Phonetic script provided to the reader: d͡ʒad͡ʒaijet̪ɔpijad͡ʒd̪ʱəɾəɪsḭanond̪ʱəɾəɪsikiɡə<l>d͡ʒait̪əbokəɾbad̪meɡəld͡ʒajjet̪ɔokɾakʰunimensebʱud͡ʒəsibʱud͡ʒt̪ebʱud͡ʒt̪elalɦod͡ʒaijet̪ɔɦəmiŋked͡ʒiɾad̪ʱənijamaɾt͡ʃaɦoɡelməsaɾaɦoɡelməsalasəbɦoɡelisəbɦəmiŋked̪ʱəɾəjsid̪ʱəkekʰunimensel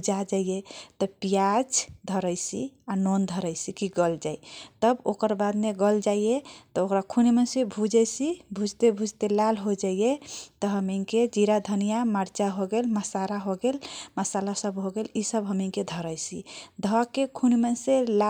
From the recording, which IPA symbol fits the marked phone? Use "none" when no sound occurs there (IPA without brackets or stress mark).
l